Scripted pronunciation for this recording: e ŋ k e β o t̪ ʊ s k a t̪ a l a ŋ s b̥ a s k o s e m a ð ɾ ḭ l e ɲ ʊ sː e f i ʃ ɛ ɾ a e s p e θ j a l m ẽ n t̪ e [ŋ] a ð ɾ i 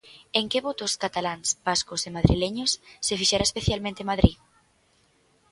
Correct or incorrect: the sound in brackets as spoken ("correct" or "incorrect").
incorrect